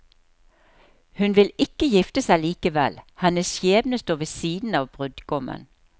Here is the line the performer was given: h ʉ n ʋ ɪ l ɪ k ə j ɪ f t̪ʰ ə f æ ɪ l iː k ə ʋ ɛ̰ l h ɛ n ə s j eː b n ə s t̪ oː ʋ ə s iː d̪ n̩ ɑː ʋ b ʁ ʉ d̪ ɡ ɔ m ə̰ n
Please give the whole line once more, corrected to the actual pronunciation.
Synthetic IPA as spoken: h ʉ n ʋ ɪ l ɪ k ə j ɪ f t̪ ə s æ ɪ l iː k ə ʋ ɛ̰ l h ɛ n ə s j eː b n ə s t̪ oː ʋ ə s iː d̪ n̩ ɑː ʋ b ʁ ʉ d̪ ɡ ɔ m ə̰ n